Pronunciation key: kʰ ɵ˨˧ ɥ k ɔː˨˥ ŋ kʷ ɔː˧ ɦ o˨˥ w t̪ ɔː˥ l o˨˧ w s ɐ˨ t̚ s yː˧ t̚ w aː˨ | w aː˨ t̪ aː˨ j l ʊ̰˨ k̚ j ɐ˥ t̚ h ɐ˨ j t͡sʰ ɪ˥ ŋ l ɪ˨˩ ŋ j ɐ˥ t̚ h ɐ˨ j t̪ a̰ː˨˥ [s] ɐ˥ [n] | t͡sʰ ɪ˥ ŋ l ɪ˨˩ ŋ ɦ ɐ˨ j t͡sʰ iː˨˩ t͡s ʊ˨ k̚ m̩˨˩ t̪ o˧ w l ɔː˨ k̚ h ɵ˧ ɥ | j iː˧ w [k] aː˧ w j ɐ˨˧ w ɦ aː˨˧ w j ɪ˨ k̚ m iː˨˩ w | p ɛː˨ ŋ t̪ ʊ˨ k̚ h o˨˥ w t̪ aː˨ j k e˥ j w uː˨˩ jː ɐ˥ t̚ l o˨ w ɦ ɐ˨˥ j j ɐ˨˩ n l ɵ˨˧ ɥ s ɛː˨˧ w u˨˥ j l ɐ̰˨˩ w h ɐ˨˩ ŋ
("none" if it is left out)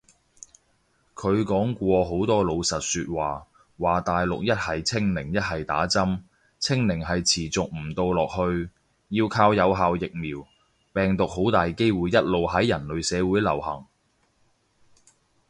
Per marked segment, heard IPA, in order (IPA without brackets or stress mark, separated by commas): t͡s, m, kʰ